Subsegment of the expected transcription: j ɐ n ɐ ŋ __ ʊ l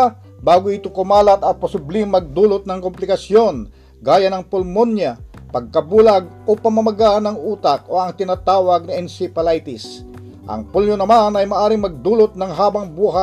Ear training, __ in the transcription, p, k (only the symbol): p